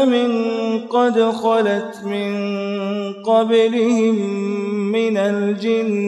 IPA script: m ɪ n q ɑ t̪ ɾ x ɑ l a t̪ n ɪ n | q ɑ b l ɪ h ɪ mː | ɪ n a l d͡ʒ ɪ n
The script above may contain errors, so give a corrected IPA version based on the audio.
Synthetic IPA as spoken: m ɪ n q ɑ d̪ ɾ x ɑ l a t̪ m ɪ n | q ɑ b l ɪ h ɪ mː | ɪ n a l d͡ʒ ɪ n